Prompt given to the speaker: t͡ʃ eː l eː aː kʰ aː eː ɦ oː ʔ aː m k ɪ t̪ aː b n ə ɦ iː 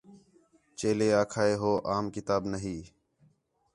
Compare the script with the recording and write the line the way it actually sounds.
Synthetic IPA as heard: t͡ʃ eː l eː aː kʰ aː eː ɦ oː ʔ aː m k ɪ t̪ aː b n ə ɦ iː